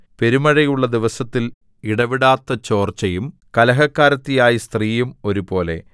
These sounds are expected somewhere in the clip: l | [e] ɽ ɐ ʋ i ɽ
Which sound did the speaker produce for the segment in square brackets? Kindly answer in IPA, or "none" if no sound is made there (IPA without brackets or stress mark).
i